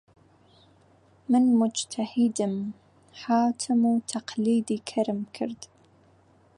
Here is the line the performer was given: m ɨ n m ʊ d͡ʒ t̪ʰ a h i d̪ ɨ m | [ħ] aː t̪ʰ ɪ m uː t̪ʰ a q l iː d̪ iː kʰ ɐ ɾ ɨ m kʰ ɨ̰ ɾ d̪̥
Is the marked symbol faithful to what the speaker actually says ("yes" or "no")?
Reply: yes